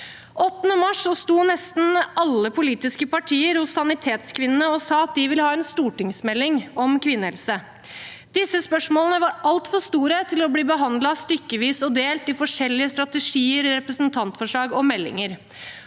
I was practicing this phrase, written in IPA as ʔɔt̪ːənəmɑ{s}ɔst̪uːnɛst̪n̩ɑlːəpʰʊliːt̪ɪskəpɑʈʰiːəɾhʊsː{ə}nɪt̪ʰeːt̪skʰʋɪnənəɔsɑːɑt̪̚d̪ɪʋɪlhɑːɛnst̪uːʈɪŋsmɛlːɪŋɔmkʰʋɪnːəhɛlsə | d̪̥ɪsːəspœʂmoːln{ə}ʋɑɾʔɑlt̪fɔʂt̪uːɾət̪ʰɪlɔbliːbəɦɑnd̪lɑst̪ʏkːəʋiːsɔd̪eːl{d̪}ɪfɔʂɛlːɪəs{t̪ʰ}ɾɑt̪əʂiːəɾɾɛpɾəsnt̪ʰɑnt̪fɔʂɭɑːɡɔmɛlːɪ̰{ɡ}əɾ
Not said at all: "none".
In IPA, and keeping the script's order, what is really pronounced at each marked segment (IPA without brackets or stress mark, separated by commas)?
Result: ʂ, ɑ, ə, t̪, t̪, ŋ